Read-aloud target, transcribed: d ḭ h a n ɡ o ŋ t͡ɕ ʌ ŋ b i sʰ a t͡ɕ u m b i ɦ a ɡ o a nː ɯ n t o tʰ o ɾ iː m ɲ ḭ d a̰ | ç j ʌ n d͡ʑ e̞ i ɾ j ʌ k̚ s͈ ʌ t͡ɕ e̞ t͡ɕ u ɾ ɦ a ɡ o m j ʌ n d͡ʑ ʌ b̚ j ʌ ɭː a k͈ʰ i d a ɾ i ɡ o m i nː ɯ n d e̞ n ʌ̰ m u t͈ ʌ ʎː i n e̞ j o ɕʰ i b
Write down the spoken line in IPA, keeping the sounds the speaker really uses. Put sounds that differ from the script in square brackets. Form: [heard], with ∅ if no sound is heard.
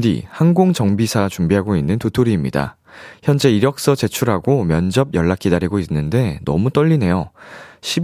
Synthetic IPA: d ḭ h a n ɡ o ŋ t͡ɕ ʌ ŋ b i sʰ a t͡ɕ u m b i ɦ a ɡ o [i] nː ɯ n t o tʰ o ɾ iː m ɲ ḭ d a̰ | ç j ʌ n d͡ʑ e̞ i ɾ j ʌ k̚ s͈ ʌ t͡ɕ e̞ [t͡ɕʰ] u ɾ ɦ a ɡ o m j ʌ n d͡ʑ ʌ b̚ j ʌ ɭː a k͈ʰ i d a ɾ i ɡ o [∅] i nː ɯ n d e̞ n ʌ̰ m u t͈ ʌ ʎː i n e̞ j o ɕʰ i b